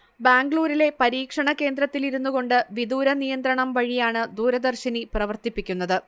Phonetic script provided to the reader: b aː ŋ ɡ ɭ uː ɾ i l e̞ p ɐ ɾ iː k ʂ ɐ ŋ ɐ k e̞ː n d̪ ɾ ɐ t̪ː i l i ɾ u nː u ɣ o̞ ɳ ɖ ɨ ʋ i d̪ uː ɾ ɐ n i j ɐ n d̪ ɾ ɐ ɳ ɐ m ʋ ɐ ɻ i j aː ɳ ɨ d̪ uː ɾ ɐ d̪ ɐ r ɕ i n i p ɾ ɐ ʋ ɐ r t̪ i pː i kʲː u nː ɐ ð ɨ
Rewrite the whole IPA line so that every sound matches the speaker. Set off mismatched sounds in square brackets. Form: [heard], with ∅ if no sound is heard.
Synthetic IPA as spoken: b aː ŋ ɡ ɭ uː ɾ i l e̞ p ɐ ɾ iː k ʂ ɐ [ɳ] ɐ k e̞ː n d̪ ɾ ɐ t̪ː i l i ɾ u nː u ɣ o̞ ɳ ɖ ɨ ʋ i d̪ uː ɾ ɐ n i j ɐ n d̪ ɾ ɐ ɳ ɐ m ʋ ɐ ɻ i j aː ɳ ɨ d̪ uː ɾ ɐ d̪ ɐ r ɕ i n i p [r] ɐ ʋ ɐ r t̪ i pː i kʲː u nː ɐ ð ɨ